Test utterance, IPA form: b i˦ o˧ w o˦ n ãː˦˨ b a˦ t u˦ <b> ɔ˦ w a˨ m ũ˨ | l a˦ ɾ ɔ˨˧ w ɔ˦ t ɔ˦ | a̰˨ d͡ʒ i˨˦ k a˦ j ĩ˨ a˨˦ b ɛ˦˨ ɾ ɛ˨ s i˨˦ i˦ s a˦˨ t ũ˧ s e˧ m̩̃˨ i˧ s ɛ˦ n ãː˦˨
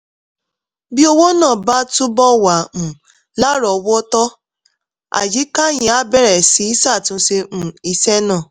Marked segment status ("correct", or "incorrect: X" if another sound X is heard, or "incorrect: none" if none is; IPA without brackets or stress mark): correct